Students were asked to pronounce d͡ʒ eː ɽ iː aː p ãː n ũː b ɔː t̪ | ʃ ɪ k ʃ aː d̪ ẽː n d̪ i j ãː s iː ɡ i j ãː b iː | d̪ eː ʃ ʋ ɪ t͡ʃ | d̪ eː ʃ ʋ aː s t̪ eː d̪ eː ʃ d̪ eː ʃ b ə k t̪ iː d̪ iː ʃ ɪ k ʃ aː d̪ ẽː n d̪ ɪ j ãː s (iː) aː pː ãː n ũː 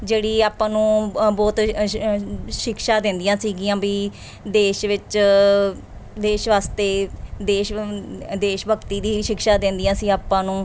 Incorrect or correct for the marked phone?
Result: correct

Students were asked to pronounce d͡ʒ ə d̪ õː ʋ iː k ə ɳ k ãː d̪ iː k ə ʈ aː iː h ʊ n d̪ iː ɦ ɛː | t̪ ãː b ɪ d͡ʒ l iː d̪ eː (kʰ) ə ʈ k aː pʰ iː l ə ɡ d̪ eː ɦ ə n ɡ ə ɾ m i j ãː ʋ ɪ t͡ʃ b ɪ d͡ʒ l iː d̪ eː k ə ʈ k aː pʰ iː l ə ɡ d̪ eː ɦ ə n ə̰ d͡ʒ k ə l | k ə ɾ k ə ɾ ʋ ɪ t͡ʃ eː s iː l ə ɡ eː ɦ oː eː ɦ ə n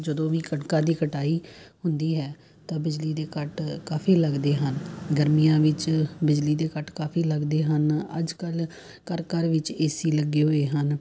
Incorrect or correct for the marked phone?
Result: incorrect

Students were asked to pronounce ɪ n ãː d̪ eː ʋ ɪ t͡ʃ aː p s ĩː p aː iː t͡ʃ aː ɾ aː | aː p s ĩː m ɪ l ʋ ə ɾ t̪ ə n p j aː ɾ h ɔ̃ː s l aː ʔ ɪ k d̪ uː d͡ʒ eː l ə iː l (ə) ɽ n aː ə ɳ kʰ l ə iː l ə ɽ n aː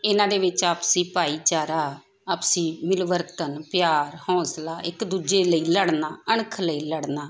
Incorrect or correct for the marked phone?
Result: correct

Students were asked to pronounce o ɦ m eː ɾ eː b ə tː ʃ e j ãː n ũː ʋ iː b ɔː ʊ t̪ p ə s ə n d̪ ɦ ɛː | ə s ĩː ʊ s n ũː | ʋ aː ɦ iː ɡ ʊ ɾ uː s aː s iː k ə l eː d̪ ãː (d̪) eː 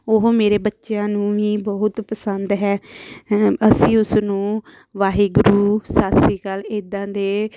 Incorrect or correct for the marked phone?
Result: correct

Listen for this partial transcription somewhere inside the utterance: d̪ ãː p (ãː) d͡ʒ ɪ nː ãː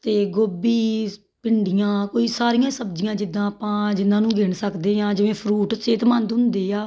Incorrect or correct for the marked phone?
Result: correct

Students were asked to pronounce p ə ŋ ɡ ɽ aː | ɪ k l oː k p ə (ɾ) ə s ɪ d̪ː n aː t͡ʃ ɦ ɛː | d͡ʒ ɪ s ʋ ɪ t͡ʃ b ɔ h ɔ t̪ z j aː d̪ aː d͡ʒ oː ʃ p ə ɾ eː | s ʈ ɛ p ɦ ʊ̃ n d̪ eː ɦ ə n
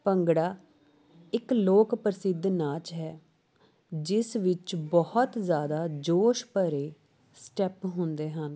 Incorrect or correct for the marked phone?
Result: correct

